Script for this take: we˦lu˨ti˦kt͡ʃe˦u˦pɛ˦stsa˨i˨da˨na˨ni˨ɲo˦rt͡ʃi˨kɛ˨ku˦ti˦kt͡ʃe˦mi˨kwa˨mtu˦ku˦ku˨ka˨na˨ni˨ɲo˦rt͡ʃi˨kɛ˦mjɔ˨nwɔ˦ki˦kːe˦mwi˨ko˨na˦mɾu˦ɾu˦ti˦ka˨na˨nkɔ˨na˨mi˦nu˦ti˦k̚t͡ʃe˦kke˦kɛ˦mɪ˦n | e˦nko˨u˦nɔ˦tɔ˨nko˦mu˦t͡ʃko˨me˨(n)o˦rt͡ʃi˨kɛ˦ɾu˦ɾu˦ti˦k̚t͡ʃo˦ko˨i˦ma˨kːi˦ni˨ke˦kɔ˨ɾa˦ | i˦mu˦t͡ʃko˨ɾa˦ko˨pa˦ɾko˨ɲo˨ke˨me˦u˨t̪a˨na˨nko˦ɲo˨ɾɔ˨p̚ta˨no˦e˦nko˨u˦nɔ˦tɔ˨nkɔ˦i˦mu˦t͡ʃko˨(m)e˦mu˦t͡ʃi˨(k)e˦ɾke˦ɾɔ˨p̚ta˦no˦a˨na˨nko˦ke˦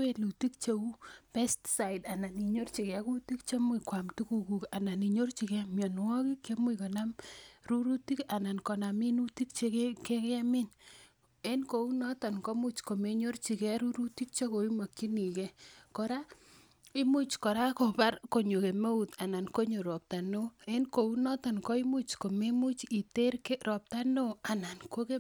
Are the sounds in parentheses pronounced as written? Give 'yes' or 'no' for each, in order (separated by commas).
no, yes, no